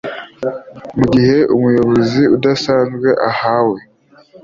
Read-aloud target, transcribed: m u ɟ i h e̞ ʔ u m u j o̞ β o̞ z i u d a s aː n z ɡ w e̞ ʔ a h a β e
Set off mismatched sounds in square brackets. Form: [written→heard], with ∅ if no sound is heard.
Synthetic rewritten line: m u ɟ i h e̞ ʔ u m u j o̞ β o̞ z i u d a s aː n z ɡ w e̞ ʔ a h a [β→w] e